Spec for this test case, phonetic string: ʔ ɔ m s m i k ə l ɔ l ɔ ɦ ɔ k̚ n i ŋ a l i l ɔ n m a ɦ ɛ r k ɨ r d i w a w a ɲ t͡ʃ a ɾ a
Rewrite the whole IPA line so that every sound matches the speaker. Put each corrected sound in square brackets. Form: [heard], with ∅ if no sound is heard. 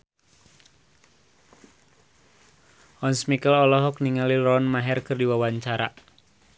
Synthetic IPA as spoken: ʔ ɔ [n] s m i k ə l ɔ l ɔ ɦ ɔ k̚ n i ŋ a l i l ɔ n m a ɦ ɛ r k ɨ r d i w a w a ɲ t͡ʃ a ɾ a